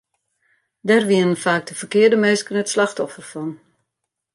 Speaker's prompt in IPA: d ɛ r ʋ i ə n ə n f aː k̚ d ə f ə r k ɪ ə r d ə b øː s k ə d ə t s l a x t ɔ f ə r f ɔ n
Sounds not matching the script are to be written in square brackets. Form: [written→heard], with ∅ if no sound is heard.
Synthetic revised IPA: d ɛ r ʋ i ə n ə n f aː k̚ d ə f ə r k ɪ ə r d ə [b→m] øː s k ə [d→n] ə t s l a x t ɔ f ə r f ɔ n